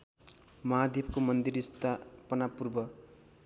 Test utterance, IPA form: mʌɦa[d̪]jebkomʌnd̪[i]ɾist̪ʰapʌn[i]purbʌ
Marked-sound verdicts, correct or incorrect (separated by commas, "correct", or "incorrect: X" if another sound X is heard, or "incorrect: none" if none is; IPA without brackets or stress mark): correct, correct, incorrect: a